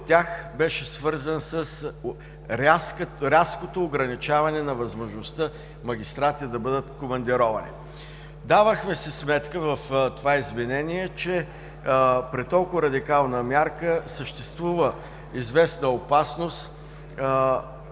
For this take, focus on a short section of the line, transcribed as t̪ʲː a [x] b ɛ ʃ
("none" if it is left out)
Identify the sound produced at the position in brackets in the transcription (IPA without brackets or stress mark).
x